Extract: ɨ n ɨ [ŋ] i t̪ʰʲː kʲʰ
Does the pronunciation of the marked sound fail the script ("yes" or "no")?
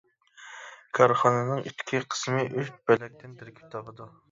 no